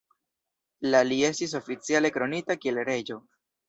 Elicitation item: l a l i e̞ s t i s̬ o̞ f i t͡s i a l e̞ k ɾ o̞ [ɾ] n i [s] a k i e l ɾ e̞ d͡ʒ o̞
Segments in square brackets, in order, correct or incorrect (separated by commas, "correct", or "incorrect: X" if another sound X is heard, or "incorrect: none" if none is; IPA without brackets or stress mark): incorrect: none, incorrect: t